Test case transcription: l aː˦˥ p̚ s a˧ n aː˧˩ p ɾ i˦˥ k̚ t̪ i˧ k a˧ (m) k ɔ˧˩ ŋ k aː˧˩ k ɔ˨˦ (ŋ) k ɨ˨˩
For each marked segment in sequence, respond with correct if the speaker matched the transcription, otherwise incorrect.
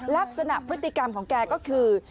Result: correct, incorrect

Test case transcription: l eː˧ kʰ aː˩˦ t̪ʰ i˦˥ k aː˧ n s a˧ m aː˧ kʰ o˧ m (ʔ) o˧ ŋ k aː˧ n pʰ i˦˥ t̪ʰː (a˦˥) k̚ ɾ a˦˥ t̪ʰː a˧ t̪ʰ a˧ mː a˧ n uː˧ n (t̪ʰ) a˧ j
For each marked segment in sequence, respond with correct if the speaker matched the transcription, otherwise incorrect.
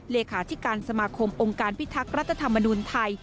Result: correct, correct, correct

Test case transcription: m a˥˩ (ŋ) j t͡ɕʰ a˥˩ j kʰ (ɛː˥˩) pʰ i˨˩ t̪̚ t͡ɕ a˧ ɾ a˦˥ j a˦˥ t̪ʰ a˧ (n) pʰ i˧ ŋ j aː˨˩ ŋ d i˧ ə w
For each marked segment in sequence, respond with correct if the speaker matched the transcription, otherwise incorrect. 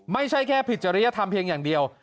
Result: incorrect, correct, incorrect

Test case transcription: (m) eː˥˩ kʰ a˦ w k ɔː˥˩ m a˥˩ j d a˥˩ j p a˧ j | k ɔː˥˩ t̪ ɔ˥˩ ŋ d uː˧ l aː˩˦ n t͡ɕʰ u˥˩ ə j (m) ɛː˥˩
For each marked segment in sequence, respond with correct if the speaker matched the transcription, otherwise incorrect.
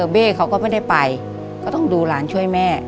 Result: incorrect, correct

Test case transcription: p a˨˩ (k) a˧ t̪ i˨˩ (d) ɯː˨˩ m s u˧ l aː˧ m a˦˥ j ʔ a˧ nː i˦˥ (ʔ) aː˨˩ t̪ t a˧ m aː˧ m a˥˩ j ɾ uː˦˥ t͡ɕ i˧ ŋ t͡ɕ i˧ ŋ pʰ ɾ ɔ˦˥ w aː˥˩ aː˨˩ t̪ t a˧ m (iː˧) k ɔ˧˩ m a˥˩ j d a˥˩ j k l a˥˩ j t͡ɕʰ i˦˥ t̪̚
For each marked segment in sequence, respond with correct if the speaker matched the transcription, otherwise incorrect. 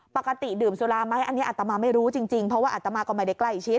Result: correct, correct, correct, incorrect

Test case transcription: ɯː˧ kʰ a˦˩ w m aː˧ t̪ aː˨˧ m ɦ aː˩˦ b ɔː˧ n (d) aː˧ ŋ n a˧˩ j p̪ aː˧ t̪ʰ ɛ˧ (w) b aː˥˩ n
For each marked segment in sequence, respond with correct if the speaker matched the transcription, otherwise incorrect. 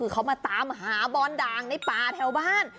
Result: correct, correct

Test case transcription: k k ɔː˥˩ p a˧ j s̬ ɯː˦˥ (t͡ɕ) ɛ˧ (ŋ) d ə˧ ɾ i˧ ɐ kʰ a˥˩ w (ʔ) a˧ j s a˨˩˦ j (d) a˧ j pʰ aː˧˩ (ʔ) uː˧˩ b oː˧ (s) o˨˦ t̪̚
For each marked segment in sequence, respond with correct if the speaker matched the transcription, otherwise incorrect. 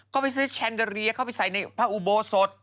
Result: incorrect, incorrect, incorrect, incorrect, correct, correct

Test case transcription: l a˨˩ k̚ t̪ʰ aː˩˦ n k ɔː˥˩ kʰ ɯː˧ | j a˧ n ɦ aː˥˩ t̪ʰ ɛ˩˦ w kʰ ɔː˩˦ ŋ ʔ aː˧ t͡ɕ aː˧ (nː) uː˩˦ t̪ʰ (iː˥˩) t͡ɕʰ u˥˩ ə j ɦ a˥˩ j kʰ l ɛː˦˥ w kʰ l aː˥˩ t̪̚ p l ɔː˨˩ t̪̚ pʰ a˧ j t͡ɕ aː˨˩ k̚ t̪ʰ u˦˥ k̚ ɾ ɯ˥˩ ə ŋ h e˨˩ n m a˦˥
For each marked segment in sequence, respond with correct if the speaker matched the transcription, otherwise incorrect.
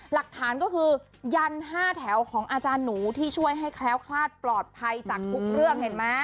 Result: correct, correct

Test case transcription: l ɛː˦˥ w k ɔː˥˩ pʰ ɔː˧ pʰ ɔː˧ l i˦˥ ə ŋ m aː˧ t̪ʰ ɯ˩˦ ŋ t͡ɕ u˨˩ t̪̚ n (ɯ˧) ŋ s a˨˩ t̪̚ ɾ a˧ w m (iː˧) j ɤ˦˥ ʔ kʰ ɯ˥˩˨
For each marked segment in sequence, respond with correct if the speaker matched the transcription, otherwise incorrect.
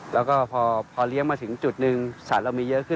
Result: correct, correct

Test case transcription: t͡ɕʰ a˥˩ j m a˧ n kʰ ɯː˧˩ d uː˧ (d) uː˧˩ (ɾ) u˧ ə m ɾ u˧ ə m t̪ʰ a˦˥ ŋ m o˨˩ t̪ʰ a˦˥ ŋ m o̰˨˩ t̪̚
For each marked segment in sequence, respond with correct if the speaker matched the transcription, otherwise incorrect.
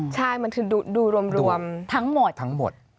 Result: correct, correct

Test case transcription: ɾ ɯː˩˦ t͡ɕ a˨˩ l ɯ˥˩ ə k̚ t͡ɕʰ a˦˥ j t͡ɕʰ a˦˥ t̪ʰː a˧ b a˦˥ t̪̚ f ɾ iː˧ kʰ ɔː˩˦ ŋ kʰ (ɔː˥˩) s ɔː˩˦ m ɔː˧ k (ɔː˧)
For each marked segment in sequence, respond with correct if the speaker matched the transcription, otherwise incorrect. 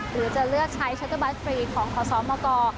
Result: incorrect, correct

